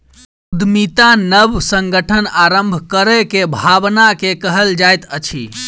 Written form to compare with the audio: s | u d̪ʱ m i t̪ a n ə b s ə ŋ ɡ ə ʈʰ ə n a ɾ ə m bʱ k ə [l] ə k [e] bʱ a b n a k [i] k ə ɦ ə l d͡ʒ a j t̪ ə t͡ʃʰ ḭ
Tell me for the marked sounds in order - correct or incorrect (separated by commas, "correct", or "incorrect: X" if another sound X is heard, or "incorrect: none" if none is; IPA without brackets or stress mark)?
incorrect: ɾ, correct, incorrect: e